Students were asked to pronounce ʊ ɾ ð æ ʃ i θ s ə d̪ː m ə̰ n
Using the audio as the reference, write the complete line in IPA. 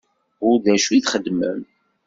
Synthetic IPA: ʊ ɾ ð æ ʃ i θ χ ə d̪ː m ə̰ m